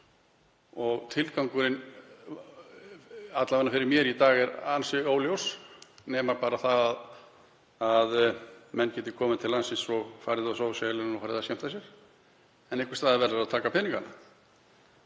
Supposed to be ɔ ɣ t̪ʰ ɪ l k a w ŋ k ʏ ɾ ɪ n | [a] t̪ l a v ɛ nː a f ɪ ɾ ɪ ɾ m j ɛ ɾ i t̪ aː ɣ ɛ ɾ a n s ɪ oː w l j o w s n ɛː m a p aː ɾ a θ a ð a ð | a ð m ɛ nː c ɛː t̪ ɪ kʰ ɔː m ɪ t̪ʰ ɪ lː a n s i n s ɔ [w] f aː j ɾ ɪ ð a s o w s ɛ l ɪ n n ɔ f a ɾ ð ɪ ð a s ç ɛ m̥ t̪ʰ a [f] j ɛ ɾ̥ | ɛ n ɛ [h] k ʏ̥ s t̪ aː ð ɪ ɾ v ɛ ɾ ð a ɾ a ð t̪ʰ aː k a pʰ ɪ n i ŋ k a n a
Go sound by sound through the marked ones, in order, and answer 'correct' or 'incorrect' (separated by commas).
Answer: correct, incorrect, incorrect, correct